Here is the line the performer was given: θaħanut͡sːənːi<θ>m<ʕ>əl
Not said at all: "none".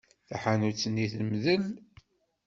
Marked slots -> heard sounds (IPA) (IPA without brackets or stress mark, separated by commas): θ, ð